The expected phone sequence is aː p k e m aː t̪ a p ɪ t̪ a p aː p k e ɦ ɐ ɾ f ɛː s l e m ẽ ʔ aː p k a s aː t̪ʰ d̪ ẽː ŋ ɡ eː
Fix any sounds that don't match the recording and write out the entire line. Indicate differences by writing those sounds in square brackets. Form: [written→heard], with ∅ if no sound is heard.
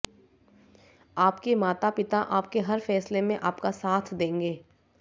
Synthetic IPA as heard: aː p k e m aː t̪ a p ɪ t̪ a [p→ʔ] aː p k e ɦ ɐ ɾ f ɛː s l e m ẽ ʔ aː p k a s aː t̪ʰ d̪ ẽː ŋ ɡ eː